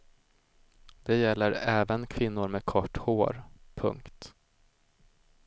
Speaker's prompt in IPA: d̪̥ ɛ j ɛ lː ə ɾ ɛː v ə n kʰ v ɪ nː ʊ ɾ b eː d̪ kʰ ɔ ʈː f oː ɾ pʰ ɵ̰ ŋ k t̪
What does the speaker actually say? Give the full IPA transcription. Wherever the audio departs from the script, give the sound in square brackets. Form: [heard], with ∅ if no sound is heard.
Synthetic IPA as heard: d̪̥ ɛ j ɛ lː ə ɾ ɛː v ə n kʰ v ɪ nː ʊ ɾ [m] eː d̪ kʰ ɔ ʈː [h] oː ɾ pʰ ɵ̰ ŋ k t̪